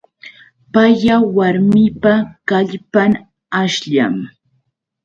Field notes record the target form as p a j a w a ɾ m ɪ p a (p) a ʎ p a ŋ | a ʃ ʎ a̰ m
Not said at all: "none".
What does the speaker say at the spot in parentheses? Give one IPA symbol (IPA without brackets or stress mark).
k